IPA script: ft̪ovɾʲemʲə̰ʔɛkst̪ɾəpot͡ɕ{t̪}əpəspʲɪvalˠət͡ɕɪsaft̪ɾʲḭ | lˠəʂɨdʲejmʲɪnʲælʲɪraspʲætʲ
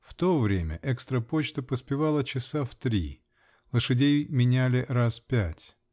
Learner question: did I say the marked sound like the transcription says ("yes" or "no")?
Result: yes